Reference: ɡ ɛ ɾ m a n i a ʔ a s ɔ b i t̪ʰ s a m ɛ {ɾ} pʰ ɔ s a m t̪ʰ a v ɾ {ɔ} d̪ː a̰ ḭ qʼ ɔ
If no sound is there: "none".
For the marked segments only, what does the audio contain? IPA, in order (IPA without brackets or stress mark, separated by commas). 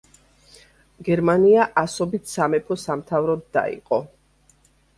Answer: none, ɔ